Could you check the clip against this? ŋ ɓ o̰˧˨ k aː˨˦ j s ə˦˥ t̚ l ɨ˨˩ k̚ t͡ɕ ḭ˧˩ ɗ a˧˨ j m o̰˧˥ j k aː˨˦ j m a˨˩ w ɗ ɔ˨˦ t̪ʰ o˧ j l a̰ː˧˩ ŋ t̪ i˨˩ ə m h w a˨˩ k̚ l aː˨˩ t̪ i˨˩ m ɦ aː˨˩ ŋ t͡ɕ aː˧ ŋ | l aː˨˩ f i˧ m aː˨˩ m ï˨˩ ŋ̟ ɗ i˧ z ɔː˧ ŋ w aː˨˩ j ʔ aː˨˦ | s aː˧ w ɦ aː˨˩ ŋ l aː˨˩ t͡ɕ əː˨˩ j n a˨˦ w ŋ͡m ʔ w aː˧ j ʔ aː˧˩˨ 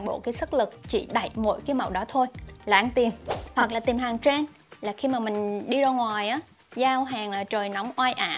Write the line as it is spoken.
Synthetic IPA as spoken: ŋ ɓ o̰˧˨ k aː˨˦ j s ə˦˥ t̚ l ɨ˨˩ k̚ t͡ɕ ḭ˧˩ ɗ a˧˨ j m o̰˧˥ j k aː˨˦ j m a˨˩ w ɗ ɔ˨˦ t̪ʰ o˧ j l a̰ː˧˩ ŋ t̪ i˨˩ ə m h w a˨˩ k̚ l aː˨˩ t̪ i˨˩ m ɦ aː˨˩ ŋ t͡ɕ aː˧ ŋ | l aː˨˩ x i˧ m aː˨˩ m ï˨˩ ŋ̟ ɗ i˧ z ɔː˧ ŋ w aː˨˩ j ʔ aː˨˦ | z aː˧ w ɦ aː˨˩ ŋ l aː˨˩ t͡ɕ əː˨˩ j n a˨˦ w ŋ͡m ʔ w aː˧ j ʔ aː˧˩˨